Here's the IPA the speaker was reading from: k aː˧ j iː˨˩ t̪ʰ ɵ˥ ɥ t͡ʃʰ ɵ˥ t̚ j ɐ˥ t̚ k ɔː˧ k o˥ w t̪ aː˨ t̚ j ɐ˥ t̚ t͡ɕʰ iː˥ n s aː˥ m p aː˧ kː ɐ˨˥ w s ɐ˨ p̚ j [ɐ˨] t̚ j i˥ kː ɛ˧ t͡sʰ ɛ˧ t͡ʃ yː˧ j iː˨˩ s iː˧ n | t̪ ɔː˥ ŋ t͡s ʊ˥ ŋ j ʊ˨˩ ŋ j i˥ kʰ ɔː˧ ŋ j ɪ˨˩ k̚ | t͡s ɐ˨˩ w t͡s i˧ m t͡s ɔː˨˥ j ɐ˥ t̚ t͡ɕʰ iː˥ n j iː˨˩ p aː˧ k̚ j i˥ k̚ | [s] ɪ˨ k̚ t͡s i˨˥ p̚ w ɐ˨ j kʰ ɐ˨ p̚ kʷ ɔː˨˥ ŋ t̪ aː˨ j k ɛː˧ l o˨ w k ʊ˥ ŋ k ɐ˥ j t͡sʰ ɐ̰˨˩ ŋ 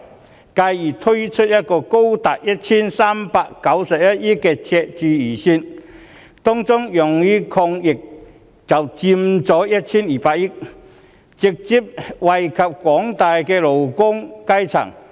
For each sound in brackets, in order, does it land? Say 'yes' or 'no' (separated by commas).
no, no